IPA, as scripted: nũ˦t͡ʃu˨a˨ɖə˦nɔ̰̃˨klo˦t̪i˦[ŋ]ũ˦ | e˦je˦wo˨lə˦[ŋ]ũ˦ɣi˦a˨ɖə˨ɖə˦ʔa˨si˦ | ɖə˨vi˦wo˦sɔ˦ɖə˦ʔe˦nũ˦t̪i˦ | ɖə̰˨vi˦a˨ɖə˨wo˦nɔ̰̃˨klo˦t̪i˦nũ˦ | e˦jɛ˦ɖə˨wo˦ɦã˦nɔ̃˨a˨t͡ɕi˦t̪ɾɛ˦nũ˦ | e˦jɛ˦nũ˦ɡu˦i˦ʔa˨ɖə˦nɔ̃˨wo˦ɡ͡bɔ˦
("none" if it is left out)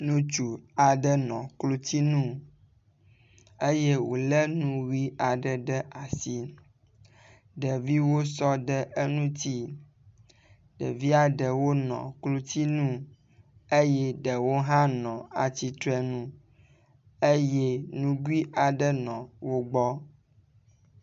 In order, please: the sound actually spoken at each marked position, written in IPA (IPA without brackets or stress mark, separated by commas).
n, n